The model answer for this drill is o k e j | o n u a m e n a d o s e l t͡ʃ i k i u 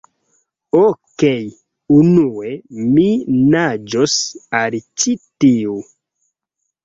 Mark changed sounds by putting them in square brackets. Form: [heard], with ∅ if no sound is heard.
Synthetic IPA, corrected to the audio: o k e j | [u] n u [e] m [i] n a [d͡ʒ] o s [a] l t͡ʃ i [t] i u